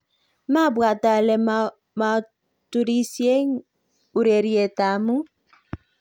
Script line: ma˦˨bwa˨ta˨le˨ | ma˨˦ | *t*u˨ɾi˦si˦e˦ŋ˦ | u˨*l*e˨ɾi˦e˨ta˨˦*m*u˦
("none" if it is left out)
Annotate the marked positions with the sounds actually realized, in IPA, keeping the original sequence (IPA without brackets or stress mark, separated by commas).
t, ɾ, m